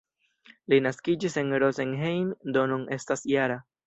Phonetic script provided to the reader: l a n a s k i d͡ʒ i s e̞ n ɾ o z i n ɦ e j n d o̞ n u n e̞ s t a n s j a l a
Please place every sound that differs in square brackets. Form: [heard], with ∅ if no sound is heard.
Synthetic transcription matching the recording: l [i] n a s k i d͡ʒ i s e̞ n ɾ o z [e] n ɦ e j n d o̞ n u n e̞ s t a [∅] s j a [ɾ] a